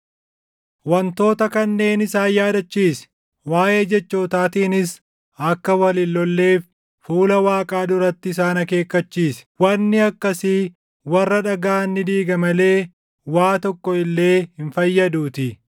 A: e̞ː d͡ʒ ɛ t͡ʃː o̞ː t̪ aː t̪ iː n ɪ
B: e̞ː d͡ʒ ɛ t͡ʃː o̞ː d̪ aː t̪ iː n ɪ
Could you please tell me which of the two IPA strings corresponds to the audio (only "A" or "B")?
A